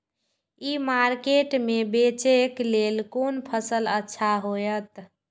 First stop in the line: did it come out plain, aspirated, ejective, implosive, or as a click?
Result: plain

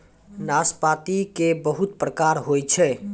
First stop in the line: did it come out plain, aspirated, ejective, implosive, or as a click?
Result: plain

